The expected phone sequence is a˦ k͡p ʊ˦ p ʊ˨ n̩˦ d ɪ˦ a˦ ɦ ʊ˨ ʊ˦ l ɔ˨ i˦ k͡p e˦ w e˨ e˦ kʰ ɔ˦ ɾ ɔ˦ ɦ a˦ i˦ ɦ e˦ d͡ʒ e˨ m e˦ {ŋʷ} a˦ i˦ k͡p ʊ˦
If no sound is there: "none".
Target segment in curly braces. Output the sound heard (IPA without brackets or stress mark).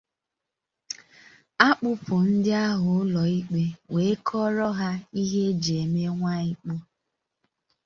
ŋʷ